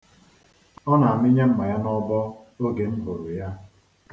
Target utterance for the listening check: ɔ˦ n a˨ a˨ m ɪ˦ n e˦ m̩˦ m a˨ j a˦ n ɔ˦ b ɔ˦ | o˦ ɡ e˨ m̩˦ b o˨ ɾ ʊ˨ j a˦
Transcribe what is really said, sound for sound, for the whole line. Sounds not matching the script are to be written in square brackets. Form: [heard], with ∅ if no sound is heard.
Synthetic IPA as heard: ɔ˦ n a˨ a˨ m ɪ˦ [ɲ] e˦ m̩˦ m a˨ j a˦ n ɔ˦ b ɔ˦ | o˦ ɡ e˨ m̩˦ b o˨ ɾ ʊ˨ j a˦